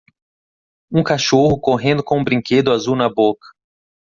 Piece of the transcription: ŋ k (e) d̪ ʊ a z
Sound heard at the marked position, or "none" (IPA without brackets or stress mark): e